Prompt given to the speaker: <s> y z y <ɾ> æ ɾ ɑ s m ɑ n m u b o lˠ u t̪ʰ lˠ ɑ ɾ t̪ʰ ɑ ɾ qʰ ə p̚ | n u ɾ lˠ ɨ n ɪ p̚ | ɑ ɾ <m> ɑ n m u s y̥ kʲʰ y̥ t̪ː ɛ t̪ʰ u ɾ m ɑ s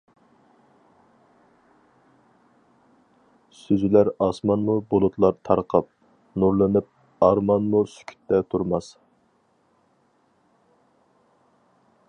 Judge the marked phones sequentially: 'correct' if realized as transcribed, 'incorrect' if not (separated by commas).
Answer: correct, incorrect, correct